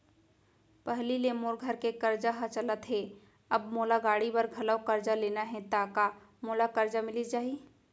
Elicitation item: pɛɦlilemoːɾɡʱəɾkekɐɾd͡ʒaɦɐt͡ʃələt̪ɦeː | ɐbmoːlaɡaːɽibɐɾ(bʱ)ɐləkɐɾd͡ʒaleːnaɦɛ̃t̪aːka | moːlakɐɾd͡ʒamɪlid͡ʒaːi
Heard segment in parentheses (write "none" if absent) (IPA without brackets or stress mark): ɡʱ